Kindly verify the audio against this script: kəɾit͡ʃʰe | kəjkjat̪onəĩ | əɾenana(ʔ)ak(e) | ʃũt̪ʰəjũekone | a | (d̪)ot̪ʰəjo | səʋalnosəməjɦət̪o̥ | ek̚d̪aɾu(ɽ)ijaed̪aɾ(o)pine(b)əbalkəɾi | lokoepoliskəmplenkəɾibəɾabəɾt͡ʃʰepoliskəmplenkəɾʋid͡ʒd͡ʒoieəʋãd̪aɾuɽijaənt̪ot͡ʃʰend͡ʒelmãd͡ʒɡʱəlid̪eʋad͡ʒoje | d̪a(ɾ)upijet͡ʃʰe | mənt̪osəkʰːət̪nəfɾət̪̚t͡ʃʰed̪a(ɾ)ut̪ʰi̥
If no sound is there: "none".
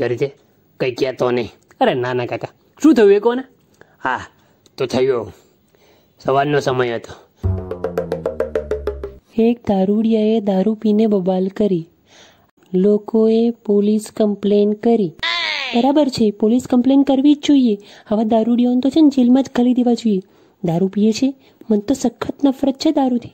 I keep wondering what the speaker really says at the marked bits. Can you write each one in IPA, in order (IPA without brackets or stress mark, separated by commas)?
k, a, t̪, ɽ, u, b, ɾ, ɾ